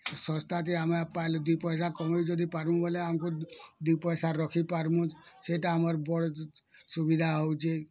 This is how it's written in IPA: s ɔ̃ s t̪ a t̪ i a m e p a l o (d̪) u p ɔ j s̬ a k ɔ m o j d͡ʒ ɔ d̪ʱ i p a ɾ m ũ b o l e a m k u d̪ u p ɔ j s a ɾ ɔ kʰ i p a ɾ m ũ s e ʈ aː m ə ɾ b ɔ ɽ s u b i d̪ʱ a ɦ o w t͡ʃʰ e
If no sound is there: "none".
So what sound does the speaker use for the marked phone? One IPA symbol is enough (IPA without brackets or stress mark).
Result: d̪